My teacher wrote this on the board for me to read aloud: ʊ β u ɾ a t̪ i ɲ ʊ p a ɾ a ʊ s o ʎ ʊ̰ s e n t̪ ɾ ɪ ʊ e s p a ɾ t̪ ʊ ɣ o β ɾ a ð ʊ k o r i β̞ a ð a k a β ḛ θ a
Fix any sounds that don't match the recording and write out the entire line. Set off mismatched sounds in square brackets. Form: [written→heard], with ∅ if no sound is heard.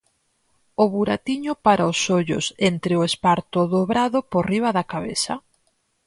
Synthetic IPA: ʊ β u ɾ a t̪ i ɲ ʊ p a ɾ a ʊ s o ʎ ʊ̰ s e n t̪ ɾ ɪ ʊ e s p a ɾ t̪ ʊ [ɣ→ð] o β ɾ a ð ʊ [k→p] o r i β̞ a ð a k a β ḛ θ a

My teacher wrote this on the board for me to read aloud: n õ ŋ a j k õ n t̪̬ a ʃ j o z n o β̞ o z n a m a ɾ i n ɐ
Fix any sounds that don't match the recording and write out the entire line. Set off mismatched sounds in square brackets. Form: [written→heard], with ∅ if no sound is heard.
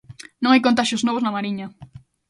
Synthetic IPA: n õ ŋ a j k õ n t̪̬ a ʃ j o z n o β̞ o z n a m a ɾ i [n→ɲ] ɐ

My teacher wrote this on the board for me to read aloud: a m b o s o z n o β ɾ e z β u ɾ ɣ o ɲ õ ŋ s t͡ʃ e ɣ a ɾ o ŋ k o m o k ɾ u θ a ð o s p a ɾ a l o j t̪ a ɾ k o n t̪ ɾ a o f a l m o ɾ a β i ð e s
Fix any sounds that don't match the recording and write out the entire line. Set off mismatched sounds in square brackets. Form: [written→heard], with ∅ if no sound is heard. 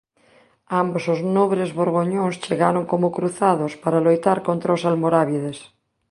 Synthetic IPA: a m b o s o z n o β ɾ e z β [u→o] ɾ ɣ o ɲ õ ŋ s t͡ʃ e ɣ a ɾ o ŋ k o m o k ɾ u θ a ð o s p a ɾ a l o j t̪ a ɾ k o n t̪ ɾ a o [f→s] a l m o ɾ a β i ð e s

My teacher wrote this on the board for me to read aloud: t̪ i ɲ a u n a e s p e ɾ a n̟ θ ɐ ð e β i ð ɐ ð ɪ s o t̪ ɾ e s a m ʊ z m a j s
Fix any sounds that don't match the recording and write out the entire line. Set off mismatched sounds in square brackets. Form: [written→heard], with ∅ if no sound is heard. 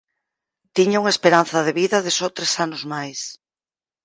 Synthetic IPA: t̪ i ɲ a u [n→ŋ] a e s p e ɾ a n̟ θ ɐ ð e β i ð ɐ ð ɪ s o t̪ ɾ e s a [m→n] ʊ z m a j s

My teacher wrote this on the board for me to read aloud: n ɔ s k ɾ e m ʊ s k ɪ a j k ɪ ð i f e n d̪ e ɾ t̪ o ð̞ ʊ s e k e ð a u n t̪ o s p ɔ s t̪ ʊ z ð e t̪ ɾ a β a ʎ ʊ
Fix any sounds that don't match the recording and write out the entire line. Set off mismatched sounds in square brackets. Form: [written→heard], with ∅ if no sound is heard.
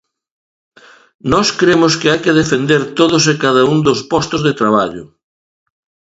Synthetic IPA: n ɔ s k ɾ e m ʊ s k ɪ a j k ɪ ð [i→e] f e n d̪ e ɾ t̪ o ð̞ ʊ s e k [e→a] ð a u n [t̪→d̪] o s p ɔ s t̪ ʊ z ð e t̪ ɾ a β a ʎ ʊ

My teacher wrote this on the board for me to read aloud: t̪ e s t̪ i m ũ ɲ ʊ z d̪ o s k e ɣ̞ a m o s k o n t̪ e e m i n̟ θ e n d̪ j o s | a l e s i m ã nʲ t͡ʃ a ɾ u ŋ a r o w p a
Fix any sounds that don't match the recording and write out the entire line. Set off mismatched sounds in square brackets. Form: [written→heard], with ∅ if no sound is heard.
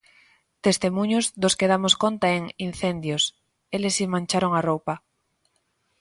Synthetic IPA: t̪ e s t̪ [i→e] m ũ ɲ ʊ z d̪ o s k e [ɣ̞→ð̞] a m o s k o n t̪ [e→a] e [m→ŋ] i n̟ θ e n d̪ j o s | [a→e] l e s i m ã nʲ t͡ʃ a ɾ [u→o] ŋ a r o w p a

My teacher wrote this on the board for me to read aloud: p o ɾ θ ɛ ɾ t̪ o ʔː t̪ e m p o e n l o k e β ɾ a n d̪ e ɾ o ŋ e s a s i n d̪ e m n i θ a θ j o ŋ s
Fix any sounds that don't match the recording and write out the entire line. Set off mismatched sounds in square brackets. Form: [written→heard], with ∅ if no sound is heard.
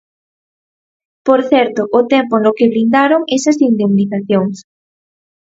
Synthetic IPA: p o ɾ θ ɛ ɾ t̪ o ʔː t̪ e m p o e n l o k e β ɾ [a→i] n d̪ [e→a] ɾ o ŋ e s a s i n d̪ e m n i θ a θ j o ŋ s

